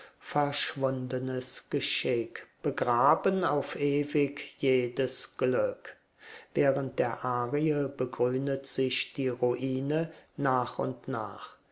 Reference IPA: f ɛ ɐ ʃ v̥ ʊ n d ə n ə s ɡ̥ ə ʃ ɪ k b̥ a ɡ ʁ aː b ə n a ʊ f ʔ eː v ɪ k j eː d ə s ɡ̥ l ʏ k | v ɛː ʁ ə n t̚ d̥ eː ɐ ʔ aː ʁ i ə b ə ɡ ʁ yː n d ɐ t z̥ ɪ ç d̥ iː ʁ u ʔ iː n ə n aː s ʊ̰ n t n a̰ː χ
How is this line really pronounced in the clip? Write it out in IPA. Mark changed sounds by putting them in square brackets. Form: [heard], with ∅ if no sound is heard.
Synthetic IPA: f ɛ ɐ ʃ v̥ ʊ n d ə n ə s ɡ̥ ə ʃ ɪ k b̥ [ə] ɡ ʁ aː b ə n a ʊ f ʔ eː v ɪ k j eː d ə s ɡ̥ l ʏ k | v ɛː ʁ ə n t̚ d̥ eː ɐ ʔ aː ʁ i ə b ə ɡ ʁ yː n d [ə] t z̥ ɪ ç d̥ iː ʁ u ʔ iː n ə n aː [χ] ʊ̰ n t n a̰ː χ